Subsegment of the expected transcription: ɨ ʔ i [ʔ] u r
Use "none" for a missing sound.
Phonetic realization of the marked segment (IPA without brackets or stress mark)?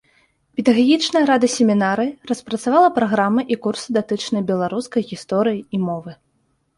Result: k